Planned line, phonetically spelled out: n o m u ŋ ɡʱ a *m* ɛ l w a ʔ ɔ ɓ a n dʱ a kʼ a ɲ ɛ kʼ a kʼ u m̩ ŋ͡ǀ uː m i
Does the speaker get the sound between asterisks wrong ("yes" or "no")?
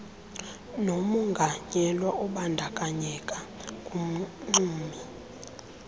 yes